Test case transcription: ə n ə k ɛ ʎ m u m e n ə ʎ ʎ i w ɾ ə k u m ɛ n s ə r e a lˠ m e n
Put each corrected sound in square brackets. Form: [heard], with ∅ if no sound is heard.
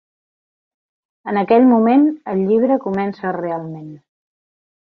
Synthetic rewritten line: ə n ə k ɛ ʎ m u m e n ə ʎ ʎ i [β] ɾ ə k u m ɛ n s ə r e a lˠ m e n